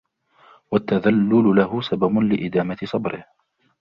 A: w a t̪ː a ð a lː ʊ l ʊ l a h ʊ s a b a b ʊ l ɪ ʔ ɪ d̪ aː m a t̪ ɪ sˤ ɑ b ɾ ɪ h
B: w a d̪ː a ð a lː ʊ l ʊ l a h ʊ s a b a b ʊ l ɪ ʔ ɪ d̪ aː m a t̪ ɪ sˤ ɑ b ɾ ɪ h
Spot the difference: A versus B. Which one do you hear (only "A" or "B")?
A